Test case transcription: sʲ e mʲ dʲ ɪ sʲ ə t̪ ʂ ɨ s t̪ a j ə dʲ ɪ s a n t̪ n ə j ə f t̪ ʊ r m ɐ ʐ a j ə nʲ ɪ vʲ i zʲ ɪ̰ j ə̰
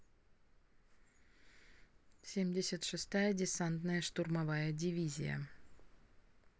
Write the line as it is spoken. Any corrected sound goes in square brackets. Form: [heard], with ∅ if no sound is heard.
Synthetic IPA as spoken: sʲ e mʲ dʲ ɪ sʲ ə t̪ ʂ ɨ s t̪ a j ə dʲ ɪ s a n t̪ n ə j ə [ʂ] t̪ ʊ r m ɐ [v] a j ə [dʲ] ɪ vʲ i zʲ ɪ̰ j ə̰